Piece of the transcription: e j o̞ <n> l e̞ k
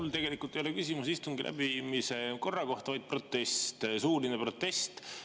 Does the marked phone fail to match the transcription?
yes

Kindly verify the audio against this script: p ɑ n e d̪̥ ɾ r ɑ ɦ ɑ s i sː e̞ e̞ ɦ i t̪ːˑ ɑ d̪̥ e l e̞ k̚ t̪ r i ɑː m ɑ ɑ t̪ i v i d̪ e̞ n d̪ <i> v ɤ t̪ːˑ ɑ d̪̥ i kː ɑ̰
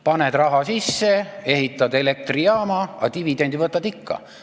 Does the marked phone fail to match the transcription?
no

